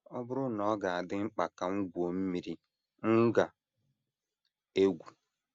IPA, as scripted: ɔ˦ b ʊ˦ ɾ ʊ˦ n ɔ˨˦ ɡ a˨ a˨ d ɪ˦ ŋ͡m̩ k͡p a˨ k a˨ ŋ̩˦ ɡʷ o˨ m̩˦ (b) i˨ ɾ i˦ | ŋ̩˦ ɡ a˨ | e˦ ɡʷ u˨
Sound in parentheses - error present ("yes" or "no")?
yes